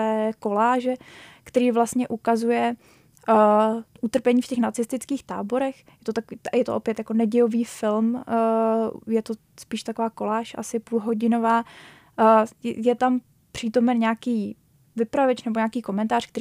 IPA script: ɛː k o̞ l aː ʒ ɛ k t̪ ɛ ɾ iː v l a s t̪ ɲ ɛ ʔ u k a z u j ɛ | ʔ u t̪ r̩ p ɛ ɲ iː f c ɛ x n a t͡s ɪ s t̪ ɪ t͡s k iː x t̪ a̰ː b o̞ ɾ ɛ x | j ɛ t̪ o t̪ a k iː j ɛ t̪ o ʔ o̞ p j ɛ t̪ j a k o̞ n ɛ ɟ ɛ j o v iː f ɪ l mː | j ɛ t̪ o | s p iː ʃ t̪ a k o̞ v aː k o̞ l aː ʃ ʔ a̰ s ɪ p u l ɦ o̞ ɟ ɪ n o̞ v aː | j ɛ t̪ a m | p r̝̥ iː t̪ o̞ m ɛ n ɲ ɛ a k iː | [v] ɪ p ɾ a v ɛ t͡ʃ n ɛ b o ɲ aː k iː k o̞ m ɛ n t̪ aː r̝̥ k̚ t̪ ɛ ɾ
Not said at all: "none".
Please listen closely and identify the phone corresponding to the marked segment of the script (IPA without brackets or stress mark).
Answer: v